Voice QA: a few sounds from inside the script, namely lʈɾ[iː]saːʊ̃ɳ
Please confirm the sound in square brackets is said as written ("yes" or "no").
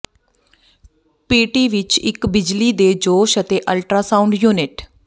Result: no